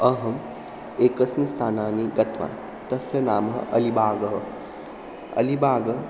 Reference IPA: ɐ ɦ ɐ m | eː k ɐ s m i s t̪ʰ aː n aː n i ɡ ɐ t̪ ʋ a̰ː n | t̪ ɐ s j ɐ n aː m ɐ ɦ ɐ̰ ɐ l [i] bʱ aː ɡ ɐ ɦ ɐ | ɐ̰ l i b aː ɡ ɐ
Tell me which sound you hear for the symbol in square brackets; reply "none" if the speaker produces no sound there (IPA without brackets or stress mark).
i